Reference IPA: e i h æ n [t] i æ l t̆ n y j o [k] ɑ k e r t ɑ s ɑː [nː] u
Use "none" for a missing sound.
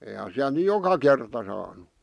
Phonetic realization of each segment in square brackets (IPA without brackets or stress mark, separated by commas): s, k, n